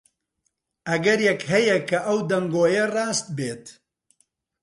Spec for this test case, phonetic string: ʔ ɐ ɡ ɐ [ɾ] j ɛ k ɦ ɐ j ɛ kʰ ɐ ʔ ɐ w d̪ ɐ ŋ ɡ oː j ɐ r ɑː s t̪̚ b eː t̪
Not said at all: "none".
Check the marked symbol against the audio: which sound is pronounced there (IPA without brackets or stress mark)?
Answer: ɾ